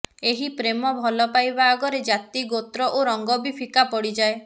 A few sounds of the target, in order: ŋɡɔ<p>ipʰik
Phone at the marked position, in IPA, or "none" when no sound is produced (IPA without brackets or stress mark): b